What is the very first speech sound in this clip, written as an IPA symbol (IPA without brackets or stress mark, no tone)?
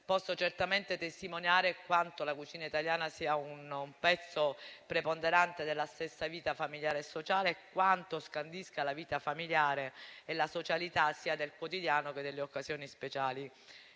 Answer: p